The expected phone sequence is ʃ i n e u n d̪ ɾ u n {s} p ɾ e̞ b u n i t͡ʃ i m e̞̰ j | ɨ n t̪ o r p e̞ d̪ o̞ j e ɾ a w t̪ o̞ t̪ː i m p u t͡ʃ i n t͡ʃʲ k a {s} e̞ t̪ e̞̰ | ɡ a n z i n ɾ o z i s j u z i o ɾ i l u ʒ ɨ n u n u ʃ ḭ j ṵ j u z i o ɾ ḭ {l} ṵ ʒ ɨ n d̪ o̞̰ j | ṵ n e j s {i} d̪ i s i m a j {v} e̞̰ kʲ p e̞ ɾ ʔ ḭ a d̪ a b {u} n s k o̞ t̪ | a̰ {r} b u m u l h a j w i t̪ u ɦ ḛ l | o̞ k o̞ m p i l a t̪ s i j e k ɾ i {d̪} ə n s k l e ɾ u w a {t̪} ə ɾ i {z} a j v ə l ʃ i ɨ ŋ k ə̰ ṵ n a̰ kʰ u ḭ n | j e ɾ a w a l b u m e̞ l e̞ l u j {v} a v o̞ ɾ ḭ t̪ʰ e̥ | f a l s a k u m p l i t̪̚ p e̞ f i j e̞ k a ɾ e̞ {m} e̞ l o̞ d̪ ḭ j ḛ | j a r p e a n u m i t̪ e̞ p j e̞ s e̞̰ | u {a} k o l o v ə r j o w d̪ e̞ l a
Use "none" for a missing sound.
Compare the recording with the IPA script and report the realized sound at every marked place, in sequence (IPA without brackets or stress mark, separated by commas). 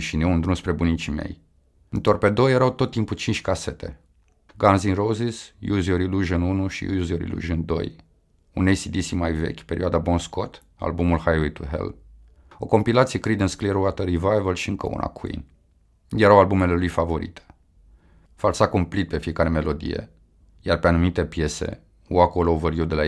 s, s, l, i, v, o, l, d̪, t̪, v, f, m, a